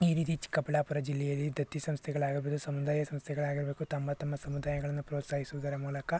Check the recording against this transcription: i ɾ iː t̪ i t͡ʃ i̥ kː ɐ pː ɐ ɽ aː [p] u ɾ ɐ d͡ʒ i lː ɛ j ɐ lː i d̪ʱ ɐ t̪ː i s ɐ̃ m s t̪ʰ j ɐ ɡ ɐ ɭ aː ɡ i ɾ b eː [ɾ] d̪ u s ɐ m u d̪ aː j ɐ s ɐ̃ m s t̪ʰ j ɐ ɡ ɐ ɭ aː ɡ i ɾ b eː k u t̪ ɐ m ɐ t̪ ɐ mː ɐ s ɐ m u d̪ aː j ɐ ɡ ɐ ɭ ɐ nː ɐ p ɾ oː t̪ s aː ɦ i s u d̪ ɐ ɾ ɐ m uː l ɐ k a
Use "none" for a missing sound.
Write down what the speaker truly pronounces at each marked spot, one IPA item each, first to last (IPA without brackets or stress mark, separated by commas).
p, none